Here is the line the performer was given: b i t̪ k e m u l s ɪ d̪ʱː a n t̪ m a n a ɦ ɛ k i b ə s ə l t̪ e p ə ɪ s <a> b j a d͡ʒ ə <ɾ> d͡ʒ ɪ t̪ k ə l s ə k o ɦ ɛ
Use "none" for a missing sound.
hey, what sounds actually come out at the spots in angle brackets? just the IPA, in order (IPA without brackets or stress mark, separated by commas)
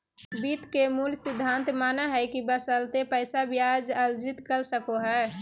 a, l